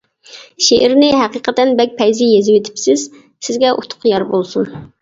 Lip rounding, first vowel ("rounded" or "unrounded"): unrounded